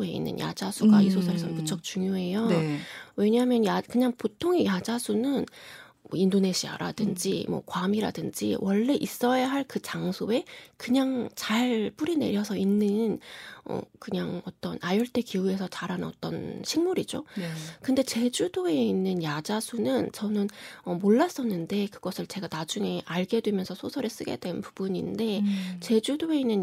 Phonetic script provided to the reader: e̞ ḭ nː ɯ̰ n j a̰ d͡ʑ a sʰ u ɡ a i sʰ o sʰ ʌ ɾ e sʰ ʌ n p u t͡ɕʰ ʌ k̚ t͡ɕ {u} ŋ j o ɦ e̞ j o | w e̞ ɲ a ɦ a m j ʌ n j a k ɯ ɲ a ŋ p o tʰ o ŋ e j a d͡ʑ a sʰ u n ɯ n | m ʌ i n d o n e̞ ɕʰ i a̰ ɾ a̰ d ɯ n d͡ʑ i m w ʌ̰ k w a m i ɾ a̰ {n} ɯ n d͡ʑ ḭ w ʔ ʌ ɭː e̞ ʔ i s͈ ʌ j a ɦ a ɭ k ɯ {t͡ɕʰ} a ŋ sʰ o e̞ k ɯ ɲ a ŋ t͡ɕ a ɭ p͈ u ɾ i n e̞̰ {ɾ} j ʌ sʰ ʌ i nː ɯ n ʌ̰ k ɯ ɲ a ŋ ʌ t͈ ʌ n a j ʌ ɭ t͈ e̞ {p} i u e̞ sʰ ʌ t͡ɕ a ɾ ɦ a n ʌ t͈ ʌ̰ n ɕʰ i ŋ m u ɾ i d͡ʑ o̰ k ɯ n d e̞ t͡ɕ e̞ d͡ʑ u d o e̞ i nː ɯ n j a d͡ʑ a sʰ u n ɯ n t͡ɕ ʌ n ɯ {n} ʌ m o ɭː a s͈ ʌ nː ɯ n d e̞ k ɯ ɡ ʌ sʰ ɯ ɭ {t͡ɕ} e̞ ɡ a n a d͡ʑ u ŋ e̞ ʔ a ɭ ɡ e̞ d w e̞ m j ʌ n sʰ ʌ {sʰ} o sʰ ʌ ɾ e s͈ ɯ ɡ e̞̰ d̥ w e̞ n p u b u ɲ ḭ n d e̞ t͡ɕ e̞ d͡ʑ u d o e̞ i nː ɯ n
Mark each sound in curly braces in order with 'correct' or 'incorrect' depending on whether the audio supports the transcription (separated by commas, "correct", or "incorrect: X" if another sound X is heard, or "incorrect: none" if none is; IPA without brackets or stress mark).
correct, incorrect: d, incorrect: t͡ɕ, correct, incorrect: k, correct, correct, correct